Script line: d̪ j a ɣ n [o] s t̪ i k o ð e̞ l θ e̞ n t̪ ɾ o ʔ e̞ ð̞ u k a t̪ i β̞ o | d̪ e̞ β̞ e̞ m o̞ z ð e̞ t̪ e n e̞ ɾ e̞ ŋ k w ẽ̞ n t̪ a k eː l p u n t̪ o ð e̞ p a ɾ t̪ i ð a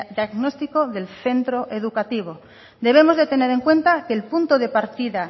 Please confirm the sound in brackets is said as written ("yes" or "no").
yes